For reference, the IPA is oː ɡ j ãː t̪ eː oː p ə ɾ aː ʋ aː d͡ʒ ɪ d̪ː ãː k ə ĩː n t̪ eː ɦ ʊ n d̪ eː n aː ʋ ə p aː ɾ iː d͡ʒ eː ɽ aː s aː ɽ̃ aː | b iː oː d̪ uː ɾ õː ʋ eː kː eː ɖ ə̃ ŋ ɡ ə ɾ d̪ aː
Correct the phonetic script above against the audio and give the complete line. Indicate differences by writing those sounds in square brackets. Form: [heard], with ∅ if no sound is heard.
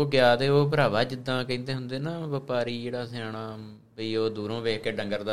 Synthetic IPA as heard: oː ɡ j [aː] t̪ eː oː p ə ɾ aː ʋ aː d͡ʒ ɪ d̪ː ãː k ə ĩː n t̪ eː ɦ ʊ n d̪ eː n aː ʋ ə p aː ɾ iː d͡ʒ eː ɽ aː s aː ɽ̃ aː | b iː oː d̪ uː ɾ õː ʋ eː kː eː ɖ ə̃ ŋ ɡ ə ɾ d̪ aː